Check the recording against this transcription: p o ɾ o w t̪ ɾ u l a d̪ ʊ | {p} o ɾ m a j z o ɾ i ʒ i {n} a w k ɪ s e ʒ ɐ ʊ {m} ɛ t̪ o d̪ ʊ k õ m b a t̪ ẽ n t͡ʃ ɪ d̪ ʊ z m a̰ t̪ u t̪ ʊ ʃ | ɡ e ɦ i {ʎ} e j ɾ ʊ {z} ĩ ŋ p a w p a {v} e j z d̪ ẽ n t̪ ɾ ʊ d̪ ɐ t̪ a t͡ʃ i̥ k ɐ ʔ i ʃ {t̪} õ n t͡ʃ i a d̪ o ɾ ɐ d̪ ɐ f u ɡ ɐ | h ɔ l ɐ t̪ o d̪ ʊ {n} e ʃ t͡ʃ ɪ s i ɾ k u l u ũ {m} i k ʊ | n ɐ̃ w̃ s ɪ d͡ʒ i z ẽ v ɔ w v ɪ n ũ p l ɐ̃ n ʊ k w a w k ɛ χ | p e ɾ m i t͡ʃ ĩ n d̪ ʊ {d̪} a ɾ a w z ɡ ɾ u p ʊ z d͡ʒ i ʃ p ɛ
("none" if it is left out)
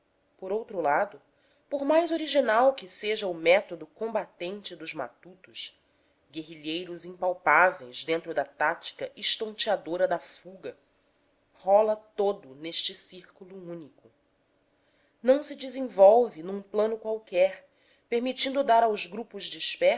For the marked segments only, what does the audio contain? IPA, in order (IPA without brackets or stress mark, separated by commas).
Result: p, n, m, ʎ, z, v, t̪, n, n, d̪